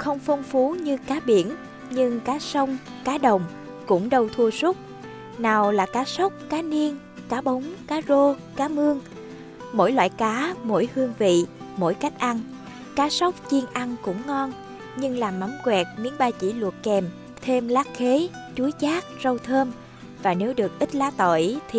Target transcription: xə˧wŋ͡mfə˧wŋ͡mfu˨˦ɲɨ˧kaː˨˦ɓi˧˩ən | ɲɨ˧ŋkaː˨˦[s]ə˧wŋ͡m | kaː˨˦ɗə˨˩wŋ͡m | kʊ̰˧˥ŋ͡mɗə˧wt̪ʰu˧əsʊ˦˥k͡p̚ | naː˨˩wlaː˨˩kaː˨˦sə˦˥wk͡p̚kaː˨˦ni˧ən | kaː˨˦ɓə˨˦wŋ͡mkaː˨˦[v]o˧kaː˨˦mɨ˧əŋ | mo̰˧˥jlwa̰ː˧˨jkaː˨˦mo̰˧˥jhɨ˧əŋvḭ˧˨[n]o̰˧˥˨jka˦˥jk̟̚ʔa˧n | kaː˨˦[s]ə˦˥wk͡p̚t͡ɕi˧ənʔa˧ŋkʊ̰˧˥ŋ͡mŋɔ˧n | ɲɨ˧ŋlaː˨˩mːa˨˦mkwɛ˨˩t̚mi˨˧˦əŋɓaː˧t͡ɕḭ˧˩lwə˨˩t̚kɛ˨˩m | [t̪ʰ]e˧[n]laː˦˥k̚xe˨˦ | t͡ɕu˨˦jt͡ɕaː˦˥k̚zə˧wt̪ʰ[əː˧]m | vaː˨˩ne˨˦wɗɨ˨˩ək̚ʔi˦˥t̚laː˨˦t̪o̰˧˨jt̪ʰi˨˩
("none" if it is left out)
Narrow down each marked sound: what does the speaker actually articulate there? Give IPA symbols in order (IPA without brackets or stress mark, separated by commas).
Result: s, z, m, s, t̪ʰ, m, əː˧